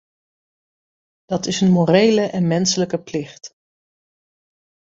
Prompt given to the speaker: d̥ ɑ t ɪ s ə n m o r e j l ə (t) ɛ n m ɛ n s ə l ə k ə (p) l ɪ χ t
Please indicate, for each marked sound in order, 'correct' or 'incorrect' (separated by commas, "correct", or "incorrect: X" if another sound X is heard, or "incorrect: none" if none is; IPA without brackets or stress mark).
incorrect: ʔ, correct